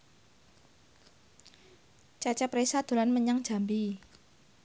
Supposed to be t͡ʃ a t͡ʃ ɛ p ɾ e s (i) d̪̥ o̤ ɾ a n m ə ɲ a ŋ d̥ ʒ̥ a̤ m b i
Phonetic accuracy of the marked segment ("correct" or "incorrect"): incorrect